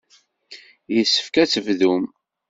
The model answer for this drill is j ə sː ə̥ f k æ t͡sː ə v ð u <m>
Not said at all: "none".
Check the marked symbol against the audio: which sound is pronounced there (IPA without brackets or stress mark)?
m